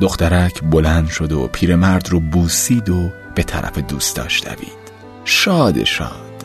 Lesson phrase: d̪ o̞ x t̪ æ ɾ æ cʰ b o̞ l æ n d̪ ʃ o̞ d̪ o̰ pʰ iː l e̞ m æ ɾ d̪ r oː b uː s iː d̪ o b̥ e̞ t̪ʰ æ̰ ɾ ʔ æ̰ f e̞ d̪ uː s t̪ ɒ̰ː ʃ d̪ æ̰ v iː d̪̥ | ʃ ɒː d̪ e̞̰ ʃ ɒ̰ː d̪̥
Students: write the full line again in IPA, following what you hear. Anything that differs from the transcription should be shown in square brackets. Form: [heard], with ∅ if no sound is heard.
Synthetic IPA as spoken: d̪ o̞ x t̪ æ ɾ æ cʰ b o̞ l æ n d̪ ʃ o̞ d̪ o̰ pʰ iː [ɾ] e̞ m æ ɾ d̪ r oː b uː s iː d̪ o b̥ e̞ t̪ʰ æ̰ ɾ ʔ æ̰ f e̞ d̪ uː s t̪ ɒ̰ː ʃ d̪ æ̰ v iː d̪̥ | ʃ ɒː d̪ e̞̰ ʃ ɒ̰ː d̪̥